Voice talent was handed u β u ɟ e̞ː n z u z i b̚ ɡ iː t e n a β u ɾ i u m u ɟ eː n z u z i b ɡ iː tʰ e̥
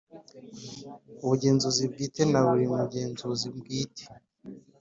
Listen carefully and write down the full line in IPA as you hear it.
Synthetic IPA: u β u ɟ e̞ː n z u z i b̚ ɡ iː t e n a β u ɾ i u m u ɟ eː n z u z i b ɡ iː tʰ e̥